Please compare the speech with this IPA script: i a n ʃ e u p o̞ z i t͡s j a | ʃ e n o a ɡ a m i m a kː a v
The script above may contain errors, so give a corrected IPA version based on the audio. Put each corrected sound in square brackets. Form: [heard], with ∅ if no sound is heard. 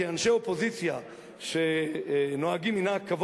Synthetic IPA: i a n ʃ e [o] p o̞ z i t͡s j a | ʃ e n o a ɡ [i] m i [n] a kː a v